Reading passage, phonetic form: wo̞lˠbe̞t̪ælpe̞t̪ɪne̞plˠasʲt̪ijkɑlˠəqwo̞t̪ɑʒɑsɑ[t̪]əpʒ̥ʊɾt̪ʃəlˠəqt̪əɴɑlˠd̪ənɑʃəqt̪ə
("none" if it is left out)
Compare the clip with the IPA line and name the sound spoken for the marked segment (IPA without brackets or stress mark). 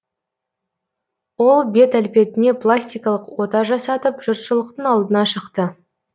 t̪